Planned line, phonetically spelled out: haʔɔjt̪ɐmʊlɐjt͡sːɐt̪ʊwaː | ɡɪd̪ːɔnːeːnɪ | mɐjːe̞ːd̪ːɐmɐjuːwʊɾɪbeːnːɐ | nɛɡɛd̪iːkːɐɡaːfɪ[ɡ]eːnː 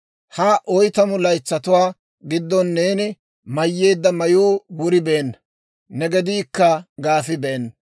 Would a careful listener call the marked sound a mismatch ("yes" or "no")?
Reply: yes